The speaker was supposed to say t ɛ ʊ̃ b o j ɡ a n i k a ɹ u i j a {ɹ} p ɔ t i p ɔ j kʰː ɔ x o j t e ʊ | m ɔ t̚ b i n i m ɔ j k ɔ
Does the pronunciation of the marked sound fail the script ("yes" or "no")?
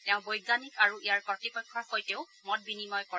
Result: no